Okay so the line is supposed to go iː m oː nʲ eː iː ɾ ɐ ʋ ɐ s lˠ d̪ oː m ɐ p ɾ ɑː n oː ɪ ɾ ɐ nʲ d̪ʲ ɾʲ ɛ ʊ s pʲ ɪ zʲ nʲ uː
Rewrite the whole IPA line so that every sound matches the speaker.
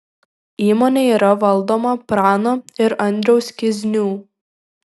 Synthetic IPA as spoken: iː m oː nʲ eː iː ɾ ɐ ʋ ɐ lˠ d̪ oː m ɐ p ɾ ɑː n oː ɪ ɾ ɐ nʲ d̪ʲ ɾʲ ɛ ʊ s kʲ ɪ zʲ nʲ uː

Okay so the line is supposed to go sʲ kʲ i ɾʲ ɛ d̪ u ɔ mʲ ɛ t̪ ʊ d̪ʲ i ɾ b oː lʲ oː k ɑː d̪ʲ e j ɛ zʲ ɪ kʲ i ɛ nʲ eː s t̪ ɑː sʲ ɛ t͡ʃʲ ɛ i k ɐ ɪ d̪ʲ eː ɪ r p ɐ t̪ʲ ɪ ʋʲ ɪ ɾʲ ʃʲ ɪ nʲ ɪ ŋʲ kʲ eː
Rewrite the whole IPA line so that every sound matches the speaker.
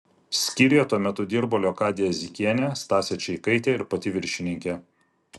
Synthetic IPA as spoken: sʲ kʲ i ɾʲ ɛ t̪ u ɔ mʲ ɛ t̪ ʊ d̪ʲ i ɾ b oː lʲ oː k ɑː d̪ʲ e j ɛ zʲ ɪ kʲ i ɛ nʲ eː s t̪ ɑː sʲ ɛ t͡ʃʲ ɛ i k ɐ ɪ t̪ʲ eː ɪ ɾ p ɐ t̪ʲ ɪ ʋʲ ɪ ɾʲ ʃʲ ɪ nʲ ɪ ŋʲ kʲ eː

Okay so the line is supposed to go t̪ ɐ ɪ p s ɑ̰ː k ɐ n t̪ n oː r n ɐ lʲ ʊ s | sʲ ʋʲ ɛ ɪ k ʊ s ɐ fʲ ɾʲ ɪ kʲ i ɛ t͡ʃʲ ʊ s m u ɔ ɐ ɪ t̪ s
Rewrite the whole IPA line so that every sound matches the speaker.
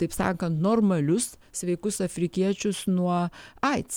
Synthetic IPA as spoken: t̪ ɐ ɪ p s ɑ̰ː k ɐ n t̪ n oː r m ɐ lʲ ʊ s | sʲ ʋʲ ɛ ɪ k ʊ s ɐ fʲ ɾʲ ɪ kʲ i ɛ t͡ʃʲ ʊ s n u ɔ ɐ ɪ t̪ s

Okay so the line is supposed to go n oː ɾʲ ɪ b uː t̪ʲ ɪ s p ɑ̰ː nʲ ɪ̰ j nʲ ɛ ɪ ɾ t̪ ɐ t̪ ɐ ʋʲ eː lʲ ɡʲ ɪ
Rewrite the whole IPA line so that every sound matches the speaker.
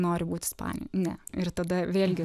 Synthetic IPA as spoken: n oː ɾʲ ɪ b uː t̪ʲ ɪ s p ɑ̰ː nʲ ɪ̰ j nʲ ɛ ɪ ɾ t̪ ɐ d̪ ɐ ʋʲ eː lʲ ɡʲ ɪ

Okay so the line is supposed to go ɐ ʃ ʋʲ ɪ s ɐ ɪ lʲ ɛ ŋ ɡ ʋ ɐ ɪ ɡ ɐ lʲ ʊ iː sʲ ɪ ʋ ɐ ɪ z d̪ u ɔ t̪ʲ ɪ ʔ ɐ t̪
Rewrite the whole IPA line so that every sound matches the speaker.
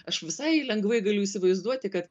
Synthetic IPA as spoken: ɐ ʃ ʋʲ ɪ s ɐ ɪ lʲ ɛ ŋ ɡ ʋ ɐ ɪ ɡ ɐ lʲ ʊ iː sʲ ɪ ʋ ɐ ɪ z d̪ u ɔ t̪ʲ ɪ k ɐ t̪

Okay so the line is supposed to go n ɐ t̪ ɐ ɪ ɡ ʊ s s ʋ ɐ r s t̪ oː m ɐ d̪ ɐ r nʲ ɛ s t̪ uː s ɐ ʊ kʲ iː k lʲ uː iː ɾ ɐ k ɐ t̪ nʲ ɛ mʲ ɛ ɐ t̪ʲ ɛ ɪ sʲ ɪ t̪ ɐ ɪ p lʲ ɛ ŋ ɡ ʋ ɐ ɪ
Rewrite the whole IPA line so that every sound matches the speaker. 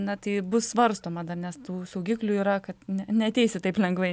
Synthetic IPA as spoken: n ɐ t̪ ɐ ɪ b ʊ s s ʋ ɐ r s t̪ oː m ɐ d̪ ɐ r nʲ ɛ s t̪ uː s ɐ ʊ ɡʲ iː k lʲ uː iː ɾ ɐ k ɐ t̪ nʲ ɛ nʲ ɛ ɐ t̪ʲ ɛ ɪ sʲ ɪ t̪ ɐ ɪ p lʲ ɛ ŋ ɡ ʋ ɐ ɪ

